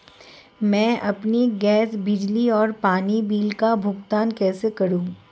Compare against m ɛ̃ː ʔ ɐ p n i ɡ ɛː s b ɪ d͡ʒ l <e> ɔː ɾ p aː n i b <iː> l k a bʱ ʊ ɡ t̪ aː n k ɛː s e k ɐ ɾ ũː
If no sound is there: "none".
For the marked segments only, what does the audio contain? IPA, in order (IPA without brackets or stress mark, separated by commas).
i, iː